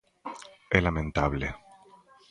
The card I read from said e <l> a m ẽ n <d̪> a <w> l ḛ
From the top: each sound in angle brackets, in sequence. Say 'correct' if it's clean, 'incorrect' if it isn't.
correct, incorrect: t̪, incorrect: β

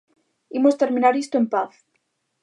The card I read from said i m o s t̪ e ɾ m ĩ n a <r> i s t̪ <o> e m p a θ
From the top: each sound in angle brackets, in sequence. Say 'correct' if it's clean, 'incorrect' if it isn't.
incorrect: ɾ, correct

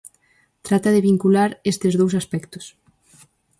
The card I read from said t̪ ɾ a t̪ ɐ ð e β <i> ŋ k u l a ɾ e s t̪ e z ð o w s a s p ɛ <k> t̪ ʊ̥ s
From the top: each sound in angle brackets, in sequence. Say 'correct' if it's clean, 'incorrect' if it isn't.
correct, correct

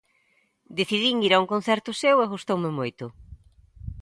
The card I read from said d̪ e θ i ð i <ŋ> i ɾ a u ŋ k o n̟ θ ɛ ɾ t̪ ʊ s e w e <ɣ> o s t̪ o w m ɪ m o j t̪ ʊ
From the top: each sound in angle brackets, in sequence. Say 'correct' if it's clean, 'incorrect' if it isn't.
correct, correct

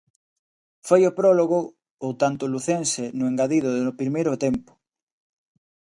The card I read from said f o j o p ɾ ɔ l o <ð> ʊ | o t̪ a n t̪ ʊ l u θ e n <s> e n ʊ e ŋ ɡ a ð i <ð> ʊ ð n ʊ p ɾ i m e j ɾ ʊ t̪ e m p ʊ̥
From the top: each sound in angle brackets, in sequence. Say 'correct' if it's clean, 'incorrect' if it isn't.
incorrect: ɣ, correct, correct

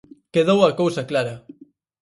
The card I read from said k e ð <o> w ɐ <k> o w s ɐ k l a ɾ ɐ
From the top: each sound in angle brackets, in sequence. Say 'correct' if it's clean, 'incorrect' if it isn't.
correct, correct

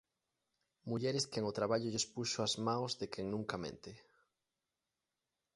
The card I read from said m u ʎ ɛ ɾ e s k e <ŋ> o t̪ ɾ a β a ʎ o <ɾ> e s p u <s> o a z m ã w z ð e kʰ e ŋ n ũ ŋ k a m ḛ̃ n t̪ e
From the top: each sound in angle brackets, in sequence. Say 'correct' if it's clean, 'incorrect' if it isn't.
correct, incorrect: ʎ, incorrect: ʃ

